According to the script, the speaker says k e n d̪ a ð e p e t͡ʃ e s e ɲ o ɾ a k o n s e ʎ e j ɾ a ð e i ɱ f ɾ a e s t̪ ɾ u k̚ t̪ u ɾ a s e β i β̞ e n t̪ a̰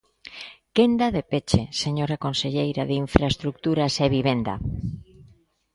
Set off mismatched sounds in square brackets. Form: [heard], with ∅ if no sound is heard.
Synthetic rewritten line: k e n d̪ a ð e p e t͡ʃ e s e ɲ o ɾ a k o n s e ʎ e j ɾ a ð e i ɱ f ɾ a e s t̪ ɾ u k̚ t̪ u ɾ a s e β i β̞ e n [d̪] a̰